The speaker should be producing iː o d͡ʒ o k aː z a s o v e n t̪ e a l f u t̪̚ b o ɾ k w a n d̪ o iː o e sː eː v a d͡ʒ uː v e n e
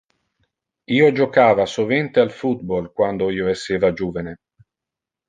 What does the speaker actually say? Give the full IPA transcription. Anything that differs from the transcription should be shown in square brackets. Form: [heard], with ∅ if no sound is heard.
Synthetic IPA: iː o d͡ʒ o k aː [v] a s o v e n t̪ e a l f u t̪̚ b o [l] k w a n d̪ o iː o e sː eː v a d͡ʒ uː v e n e